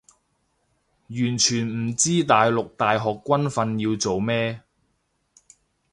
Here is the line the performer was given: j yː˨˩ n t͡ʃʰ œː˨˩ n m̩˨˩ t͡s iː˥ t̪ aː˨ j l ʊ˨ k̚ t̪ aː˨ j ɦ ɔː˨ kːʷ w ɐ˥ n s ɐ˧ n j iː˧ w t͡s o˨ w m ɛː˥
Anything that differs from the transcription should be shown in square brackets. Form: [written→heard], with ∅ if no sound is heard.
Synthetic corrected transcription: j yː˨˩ n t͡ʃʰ [œː˨˩→yː˨˩] n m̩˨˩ t͡s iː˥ t̪ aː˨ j l ʊ˨ k̚ t̪ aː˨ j ɦ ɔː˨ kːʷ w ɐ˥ n [s→f] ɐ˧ n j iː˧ w t͡s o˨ w m ɛː˥